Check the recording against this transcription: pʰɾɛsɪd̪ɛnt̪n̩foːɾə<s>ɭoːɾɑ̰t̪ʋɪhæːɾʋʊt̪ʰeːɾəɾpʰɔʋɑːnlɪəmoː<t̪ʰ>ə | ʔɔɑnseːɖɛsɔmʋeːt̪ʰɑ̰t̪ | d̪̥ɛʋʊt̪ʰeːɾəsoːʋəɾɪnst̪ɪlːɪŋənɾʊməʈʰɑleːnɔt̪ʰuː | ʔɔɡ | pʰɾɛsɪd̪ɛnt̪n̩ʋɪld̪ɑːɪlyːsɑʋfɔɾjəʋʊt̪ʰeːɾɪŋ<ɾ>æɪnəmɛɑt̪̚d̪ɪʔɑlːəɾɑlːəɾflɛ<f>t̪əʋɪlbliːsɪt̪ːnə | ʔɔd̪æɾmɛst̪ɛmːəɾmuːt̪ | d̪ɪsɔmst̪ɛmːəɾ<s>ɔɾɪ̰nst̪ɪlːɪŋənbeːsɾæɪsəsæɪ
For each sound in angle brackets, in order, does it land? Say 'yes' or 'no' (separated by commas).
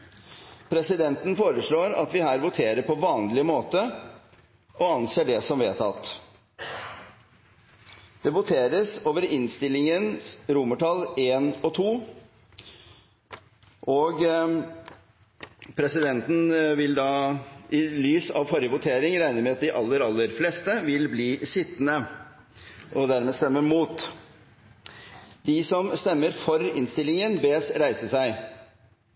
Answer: no, no, yes, no, no